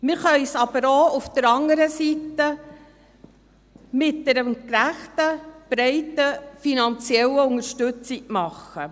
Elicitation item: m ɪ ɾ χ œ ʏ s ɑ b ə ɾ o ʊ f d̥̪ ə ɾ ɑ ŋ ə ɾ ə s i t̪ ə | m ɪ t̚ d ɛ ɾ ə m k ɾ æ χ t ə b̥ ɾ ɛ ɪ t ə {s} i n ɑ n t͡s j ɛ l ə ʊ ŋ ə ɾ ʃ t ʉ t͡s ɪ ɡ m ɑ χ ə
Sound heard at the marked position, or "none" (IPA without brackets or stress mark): f